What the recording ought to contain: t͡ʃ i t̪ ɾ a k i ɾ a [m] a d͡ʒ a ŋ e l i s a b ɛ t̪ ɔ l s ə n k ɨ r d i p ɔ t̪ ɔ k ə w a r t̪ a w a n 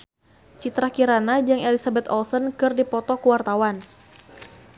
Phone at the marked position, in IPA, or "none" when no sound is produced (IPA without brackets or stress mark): n